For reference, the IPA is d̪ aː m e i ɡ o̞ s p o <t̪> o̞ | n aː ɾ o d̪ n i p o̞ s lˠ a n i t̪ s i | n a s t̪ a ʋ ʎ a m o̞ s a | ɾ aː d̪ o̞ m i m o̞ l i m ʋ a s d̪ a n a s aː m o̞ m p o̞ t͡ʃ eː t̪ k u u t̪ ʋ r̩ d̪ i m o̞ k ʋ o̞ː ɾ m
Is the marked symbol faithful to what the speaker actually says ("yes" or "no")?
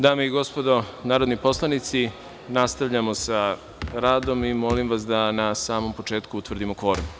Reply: no